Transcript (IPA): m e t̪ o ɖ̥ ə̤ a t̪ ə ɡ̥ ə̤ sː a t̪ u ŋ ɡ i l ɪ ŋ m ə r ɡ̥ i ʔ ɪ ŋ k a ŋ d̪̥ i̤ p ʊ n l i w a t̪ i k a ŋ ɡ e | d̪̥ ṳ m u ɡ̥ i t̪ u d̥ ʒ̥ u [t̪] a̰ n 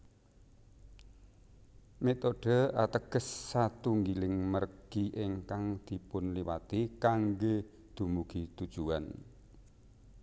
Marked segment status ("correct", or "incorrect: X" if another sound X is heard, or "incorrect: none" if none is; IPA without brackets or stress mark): incorrect: none